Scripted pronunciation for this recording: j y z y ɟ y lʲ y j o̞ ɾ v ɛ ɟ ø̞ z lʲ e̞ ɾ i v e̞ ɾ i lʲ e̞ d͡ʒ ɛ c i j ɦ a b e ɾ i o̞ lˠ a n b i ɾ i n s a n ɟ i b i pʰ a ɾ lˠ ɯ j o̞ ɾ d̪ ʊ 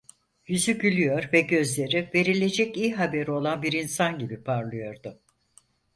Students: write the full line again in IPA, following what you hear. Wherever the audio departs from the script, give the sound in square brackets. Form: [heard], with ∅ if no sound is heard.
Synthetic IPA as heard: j y z y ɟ y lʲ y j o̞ ɾ v ɛ ɟ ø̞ z lʲ e̞ ɾ i v e̞ ɾ i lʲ e̞ d͡ʒ ɛ c i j ɦ a b e ɾ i o̞ lˠ a n b i ɾ i n s a n ɟ i b i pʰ a ɾ lˠ ɯ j o̞ ɾ d̪ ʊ